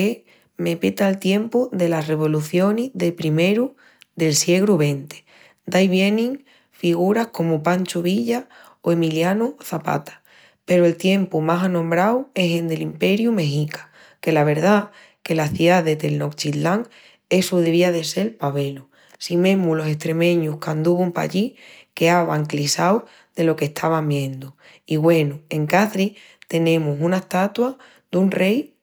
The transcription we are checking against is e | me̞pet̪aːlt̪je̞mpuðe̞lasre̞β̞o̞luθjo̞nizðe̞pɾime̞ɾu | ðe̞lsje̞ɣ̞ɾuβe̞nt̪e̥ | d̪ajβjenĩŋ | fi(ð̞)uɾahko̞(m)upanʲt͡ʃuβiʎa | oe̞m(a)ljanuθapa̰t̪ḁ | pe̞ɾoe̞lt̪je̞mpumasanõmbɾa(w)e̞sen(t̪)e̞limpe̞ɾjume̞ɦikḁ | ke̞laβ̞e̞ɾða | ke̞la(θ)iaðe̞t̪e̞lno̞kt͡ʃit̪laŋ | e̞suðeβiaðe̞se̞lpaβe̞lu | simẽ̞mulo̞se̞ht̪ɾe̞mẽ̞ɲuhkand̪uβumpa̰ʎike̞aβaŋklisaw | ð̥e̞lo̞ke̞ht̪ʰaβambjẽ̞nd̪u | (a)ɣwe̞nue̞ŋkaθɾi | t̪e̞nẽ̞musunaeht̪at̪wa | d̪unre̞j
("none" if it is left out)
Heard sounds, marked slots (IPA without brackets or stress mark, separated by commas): ɣ̞, m, i, w, d̪, θ, i